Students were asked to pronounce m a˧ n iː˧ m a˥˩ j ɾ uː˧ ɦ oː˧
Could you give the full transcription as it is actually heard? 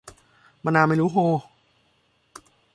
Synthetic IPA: m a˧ n aː˧ m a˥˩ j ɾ uː˦˥ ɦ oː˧